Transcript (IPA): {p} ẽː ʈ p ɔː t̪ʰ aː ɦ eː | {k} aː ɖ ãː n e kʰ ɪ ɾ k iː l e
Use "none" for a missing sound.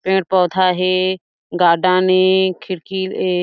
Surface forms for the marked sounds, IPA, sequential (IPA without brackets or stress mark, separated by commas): p, ɡ